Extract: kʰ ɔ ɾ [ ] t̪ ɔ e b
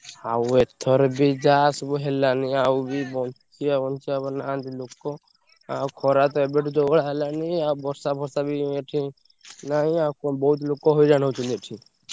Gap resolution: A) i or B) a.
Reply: B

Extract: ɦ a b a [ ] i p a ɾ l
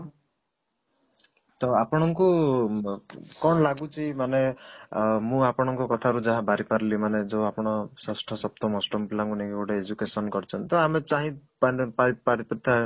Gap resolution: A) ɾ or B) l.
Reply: A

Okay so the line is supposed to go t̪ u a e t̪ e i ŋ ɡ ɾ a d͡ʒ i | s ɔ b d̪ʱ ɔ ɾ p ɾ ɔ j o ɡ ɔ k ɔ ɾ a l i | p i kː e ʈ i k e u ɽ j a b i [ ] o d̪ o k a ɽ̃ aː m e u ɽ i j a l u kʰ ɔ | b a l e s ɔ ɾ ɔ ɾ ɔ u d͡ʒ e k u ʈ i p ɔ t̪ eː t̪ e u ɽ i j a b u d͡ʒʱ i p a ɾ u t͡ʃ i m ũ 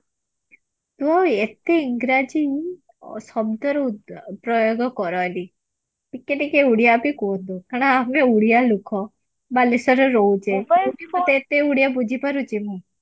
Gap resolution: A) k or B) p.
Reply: A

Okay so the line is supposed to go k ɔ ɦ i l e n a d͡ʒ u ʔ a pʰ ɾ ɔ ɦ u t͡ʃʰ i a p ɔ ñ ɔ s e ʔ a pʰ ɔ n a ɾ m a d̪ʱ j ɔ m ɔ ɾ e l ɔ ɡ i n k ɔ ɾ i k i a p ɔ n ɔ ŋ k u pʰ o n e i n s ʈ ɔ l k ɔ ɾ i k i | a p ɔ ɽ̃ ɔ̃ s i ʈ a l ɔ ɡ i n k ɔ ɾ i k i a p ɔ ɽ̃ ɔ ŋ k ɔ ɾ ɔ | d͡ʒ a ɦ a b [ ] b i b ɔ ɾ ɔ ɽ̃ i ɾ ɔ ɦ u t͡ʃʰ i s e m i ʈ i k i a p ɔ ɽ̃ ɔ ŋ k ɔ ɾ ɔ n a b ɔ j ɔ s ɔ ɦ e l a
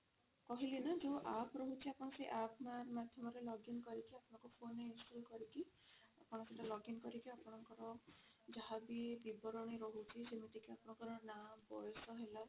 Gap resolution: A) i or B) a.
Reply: A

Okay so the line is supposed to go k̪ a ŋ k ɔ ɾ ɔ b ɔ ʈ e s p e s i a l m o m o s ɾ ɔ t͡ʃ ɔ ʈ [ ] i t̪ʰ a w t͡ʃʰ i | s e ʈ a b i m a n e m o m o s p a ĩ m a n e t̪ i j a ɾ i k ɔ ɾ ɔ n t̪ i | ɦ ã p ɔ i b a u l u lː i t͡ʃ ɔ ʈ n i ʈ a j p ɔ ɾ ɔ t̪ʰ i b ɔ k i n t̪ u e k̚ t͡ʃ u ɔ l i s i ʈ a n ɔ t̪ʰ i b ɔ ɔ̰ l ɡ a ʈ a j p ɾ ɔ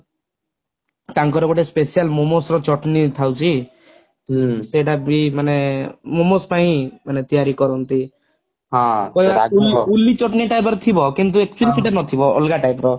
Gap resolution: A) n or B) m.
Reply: A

